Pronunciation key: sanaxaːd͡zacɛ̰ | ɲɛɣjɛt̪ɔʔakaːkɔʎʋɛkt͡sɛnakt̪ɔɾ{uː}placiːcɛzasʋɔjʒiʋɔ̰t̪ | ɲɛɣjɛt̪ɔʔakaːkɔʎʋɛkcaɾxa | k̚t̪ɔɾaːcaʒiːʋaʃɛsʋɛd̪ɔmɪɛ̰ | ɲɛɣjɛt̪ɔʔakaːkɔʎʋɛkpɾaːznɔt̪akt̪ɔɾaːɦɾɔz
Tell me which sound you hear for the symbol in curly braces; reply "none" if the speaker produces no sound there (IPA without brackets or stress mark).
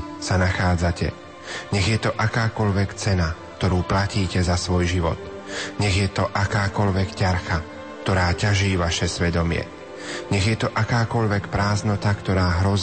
uː